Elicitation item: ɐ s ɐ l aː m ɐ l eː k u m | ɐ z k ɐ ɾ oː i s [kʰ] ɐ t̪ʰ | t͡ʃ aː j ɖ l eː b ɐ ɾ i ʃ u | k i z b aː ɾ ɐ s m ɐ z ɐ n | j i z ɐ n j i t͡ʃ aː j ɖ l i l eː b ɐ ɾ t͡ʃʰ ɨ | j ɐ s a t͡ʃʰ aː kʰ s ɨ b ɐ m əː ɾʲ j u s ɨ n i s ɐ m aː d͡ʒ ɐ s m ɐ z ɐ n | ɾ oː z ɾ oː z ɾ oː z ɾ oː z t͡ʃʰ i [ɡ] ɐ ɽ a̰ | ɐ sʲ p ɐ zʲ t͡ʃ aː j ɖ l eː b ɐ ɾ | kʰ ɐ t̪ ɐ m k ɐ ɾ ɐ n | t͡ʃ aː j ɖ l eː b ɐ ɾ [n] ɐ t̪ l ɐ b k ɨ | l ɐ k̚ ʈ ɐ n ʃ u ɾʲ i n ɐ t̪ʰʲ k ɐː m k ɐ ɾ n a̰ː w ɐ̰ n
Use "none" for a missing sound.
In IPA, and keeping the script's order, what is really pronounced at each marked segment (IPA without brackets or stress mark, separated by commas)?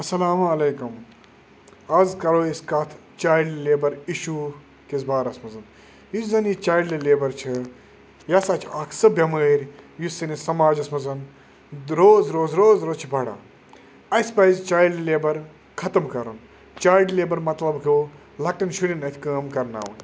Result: k, b, m